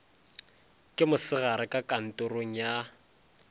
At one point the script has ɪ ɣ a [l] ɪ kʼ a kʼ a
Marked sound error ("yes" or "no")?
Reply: yes